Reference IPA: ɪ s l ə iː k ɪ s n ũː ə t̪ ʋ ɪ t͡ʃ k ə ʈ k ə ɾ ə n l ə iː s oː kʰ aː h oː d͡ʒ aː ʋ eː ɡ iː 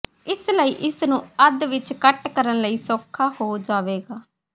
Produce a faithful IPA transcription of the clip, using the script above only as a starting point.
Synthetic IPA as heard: ɪ s l ə iː ʔ ɪ s n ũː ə d̪ ʋ ɪ t͡ʃ k ə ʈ k ə ɾ ə n l ə iː s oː kʰ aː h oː d͡ʒ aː ʋ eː ɡ aː